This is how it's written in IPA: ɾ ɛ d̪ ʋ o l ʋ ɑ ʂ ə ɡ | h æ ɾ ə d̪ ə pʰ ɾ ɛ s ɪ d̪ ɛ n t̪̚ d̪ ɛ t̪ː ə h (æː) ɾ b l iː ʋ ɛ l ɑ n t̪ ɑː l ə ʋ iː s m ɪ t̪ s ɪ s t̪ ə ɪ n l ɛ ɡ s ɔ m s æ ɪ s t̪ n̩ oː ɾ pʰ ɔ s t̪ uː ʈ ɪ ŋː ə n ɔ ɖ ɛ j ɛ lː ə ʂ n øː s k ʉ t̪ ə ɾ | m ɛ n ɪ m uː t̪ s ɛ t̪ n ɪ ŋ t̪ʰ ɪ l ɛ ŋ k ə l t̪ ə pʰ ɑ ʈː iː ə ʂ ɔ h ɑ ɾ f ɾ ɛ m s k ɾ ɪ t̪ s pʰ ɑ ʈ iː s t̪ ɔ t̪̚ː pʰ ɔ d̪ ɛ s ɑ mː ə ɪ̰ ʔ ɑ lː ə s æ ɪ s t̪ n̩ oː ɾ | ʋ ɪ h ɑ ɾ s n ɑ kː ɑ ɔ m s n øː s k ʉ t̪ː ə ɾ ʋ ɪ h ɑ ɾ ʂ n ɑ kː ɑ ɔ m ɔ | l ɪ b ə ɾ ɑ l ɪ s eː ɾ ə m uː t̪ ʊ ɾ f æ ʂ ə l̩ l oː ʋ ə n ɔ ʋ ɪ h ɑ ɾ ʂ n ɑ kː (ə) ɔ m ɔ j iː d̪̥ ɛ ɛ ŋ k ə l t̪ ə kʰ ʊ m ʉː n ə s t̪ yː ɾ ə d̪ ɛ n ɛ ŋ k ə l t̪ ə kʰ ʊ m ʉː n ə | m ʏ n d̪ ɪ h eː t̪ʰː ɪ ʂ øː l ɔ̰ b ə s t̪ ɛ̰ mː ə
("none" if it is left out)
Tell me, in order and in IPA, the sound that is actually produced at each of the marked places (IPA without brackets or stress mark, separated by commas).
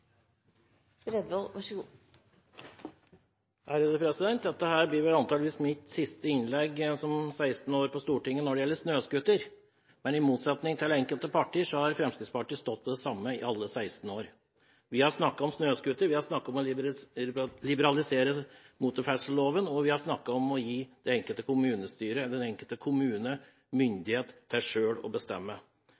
æː, ɑ